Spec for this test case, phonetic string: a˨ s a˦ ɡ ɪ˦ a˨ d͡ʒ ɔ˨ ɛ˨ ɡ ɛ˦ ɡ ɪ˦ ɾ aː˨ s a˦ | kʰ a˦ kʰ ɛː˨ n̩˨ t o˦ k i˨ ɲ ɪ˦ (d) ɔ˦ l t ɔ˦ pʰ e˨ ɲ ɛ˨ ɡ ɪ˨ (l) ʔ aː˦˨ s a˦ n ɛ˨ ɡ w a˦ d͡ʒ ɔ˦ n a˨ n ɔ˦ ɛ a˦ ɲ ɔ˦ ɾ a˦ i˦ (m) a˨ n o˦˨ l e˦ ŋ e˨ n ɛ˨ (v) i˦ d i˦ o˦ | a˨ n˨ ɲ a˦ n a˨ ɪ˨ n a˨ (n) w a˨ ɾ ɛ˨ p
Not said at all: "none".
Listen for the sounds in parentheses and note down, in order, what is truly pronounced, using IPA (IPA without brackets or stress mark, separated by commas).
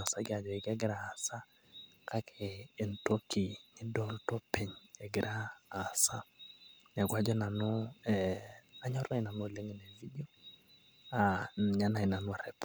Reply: d, ɾ, n, v, n